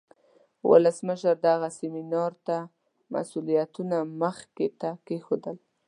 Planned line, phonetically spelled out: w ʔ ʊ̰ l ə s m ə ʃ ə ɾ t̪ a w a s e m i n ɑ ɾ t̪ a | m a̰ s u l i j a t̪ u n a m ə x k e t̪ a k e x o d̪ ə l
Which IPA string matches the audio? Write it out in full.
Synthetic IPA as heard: w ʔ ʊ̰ l ə s m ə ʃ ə ɾ d̪ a ɣ a s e m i n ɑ ɾ t̪ a | m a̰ s u l i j a t̪ u n a m ə x k e t̪ a k e x o d̪ ə l